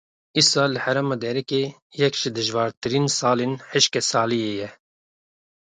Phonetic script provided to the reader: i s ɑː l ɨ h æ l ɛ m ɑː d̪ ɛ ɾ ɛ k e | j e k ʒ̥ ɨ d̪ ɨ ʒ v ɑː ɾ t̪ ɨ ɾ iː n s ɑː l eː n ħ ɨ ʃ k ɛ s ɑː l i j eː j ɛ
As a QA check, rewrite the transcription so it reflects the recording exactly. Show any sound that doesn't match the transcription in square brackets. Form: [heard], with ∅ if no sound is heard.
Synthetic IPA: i s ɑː l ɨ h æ [ɾ] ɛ m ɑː d̪ ɛ ɾ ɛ k e | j [ɛ] k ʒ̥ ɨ d̪ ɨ ʒ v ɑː ɾ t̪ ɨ ɾ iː n s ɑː l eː n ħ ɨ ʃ k ɛ s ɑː l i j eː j ɛ